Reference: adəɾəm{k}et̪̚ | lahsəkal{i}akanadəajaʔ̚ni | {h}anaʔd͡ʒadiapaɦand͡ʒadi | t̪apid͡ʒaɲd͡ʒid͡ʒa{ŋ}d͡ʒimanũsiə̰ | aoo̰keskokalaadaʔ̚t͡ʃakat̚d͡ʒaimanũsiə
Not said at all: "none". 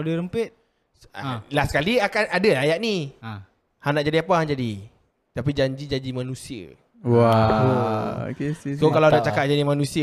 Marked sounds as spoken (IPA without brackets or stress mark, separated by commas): p, i, h, ɲ